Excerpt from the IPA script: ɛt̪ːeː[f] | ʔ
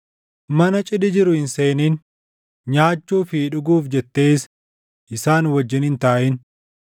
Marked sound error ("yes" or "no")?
yes